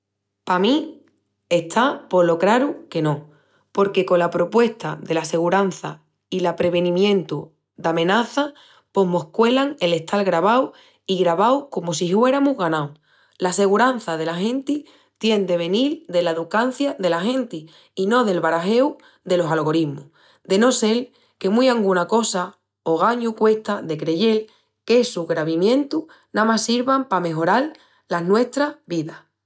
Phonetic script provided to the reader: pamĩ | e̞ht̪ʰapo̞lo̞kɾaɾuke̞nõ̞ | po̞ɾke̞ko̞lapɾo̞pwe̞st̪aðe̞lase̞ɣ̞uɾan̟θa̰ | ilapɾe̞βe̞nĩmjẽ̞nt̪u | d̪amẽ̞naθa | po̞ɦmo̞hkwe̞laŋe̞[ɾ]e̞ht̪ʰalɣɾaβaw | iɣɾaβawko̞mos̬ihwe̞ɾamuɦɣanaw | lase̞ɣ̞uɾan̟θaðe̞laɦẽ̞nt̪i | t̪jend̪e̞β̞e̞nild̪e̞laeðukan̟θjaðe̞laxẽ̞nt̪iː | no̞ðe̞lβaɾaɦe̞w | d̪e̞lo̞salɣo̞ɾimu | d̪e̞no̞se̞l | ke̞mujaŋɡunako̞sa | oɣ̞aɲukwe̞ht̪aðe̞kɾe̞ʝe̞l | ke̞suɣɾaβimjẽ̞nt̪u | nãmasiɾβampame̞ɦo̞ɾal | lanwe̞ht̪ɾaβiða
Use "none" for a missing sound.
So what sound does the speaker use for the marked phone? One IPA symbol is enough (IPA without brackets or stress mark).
l